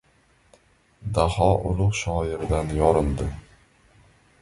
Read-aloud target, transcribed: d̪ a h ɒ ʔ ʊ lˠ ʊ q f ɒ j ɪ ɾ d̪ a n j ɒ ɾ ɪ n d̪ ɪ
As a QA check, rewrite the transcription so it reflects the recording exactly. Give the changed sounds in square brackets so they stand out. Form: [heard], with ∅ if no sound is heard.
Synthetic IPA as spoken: d̪ a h ɒ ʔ ʊ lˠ ʊ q [ʃ] ɒ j ɪ ɾ d̪ a n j ɒ ɾ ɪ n d̪ ɪ